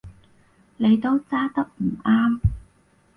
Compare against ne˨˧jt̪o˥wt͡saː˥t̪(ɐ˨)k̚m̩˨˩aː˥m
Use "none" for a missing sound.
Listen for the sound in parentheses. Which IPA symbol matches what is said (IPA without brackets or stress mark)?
ɐ˥